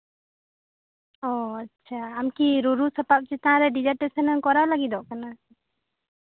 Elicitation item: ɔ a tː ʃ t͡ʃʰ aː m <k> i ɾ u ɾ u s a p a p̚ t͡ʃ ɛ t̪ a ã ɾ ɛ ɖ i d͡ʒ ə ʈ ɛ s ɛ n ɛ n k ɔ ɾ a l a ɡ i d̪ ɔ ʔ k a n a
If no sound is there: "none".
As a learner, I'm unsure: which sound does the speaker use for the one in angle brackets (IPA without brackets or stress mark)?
k